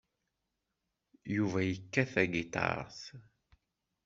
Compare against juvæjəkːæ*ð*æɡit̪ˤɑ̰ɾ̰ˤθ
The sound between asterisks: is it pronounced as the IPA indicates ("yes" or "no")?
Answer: no